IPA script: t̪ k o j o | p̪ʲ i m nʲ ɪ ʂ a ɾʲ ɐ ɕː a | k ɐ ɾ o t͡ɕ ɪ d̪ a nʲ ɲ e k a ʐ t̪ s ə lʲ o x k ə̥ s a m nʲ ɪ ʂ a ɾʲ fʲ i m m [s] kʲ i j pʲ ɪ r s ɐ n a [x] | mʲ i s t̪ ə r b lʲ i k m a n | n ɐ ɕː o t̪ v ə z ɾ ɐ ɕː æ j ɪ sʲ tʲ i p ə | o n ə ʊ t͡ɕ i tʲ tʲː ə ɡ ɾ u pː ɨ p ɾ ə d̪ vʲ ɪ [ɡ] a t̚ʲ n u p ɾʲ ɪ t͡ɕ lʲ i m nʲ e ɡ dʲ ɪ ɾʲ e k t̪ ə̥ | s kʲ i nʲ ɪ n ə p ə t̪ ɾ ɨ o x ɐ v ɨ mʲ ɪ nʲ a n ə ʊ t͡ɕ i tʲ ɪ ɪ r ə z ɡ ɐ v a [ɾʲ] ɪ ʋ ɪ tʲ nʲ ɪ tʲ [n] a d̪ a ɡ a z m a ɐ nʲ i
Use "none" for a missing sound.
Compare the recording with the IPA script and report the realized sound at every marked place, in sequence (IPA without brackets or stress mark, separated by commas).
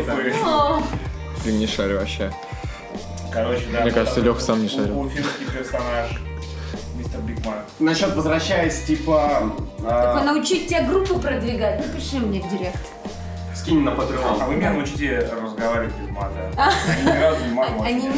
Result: s, ʂ, ɡ, ɾʲ, m